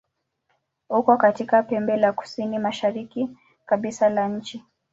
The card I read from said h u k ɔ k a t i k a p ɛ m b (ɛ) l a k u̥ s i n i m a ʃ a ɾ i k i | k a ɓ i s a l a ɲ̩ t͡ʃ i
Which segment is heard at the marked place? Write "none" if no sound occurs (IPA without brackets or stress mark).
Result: ɛ